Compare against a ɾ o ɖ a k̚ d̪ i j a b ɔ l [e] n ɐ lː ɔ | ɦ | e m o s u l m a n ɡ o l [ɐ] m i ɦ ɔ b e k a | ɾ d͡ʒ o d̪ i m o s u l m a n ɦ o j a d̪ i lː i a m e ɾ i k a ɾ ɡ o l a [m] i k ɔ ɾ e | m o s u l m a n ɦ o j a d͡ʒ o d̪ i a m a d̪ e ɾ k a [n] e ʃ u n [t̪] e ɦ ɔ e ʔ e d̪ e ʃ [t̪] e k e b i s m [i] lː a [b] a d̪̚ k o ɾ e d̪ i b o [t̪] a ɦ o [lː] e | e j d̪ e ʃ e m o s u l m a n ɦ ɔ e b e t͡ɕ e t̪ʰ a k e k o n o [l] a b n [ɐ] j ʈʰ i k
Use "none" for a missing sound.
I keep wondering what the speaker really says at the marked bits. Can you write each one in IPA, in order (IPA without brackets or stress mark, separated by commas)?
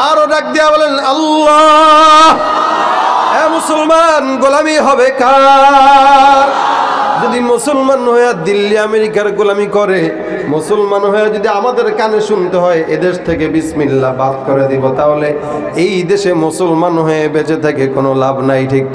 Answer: e, a, m, n, t̪, t̪ʰ, i, b, t̪, l, l, a